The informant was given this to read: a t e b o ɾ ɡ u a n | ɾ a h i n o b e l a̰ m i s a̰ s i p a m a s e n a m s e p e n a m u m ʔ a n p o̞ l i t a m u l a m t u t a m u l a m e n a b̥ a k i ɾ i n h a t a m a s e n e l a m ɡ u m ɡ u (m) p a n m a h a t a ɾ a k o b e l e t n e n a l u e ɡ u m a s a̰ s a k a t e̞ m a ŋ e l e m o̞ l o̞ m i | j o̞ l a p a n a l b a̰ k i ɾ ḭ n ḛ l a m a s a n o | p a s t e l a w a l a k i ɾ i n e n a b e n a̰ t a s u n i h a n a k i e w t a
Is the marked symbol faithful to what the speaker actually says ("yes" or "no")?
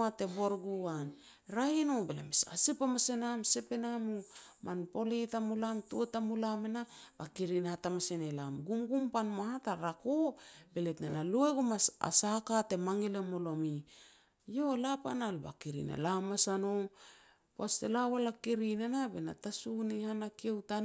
yes